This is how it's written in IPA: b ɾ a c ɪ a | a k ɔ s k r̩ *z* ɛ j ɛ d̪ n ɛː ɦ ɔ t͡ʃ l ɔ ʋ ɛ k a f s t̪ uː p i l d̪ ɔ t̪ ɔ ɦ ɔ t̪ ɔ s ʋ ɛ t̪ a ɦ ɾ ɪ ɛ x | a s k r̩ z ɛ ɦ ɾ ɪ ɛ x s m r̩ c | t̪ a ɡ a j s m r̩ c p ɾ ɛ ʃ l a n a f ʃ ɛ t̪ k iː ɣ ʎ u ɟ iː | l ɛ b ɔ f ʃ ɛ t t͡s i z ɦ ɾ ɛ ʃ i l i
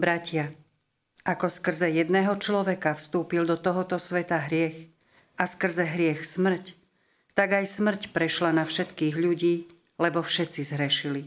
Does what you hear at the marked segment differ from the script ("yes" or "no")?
no